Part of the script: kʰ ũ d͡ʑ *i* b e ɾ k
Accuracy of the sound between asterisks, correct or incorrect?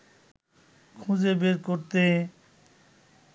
incorrect